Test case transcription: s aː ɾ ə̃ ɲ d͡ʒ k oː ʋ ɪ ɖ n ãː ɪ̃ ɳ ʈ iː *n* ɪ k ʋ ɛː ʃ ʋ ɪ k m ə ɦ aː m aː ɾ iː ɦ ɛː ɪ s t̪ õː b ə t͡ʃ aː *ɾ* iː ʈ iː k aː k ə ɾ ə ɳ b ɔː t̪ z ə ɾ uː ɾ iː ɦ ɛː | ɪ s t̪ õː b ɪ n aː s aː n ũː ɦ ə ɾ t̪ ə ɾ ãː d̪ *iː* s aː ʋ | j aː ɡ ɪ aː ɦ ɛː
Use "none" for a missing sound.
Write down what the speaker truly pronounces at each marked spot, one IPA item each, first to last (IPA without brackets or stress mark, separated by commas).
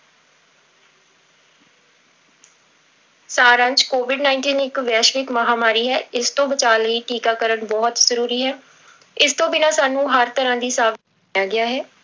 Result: n, l, iː